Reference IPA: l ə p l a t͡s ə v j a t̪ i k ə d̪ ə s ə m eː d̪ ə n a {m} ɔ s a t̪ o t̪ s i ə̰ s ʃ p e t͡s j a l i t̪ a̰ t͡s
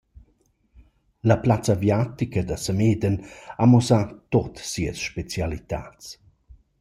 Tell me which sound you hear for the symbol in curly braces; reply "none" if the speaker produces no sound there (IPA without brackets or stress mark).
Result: m